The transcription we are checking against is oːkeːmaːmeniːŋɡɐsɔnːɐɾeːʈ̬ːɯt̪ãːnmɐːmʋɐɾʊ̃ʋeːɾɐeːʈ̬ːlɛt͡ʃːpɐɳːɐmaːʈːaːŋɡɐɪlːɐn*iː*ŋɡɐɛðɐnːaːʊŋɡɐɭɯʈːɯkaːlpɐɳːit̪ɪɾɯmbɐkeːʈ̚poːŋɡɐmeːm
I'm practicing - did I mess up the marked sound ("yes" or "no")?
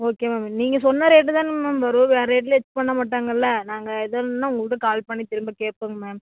yes